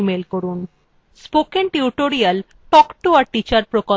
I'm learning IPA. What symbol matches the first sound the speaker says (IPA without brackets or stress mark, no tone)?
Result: m